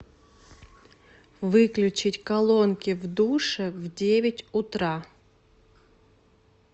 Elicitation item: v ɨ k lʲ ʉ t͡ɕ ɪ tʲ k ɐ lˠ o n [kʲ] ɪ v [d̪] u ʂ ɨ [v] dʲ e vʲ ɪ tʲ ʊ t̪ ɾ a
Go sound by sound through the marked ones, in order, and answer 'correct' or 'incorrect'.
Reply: correct, correct, correct

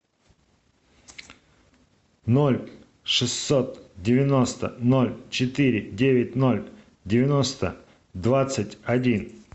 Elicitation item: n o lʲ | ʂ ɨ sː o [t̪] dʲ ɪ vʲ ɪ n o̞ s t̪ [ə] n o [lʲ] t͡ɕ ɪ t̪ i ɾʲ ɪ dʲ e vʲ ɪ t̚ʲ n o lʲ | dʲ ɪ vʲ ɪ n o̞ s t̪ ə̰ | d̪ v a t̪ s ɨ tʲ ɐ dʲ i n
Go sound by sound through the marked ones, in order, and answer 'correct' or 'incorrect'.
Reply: correct, correct, correct

